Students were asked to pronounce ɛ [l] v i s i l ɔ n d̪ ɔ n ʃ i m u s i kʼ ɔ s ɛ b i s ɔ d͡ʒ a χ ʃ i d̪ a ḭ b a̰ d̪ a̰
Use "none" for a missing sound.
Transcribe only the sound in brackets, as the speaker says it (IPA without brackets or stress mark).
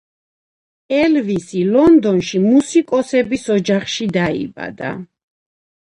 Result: l